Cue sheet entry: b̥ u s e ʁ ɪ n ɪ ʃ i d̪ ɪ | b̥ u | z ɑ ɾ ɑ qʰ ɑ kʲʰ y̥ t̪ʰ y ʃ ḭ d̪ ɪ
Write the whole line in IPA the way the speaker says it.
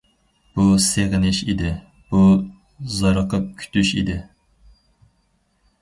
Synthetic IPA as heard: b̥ u s e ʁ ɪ n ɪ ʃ i d̪ ɪ | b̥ u | z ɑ ɾ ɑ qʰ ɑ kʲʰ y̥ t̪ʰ y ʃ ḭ d̪ ɪ